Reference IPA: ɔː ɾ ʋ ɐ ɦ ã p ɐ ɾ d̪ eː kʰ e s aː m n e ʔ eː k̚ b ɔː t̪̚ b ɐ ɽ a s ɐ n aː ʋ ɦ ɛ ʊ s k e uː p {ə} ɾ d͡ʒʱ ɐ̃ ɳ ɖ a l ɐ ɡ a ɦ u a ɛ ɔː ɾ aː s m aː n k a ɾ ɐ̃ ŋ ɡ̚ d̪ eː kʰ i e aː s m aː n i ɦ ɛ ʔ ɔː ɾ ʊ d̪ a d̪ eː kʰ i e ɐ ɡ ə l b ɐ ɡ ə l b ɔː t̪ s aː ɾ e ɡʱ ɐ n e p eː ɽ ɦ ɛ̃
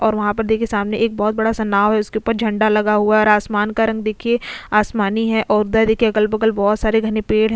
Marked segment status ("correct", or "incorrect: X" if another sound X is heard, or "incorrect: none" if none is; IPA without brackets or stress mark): correct